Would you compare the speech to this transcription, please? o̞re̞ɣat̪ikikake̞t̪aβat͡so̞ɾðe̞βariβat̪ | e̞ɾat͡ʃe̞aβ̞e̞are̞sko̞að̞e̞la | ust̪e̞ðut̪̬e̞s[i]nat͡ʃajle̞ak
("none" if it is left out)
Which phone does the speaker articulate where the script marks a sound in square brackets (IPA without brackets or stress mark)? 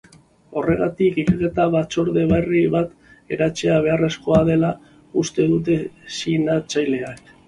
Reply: i